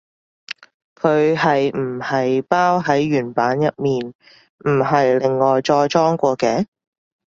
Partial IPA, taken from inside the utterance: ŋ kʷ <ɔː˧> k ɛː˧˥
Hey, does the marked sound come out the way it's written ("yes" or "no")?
yes